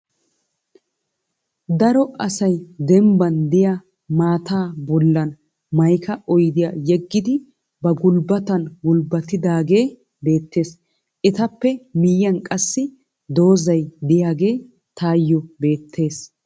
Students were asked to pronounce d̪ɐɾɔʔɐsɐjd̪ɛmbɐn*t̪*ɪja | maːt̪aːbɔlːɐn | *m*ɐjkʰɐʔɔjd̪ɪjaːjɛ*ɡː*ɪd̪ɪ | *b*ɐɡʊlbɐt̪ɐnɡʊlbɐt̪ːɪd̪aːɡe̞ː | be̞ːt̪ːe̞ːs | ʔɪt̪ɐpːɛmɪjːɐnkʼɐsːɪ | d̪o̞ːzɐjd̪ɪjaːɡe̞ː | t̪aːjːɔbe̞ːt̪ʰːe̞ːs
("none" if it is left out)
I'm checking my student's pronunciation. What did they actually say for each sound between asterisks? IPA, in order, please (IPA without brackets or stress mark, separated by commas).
d̪, m, ɡː, b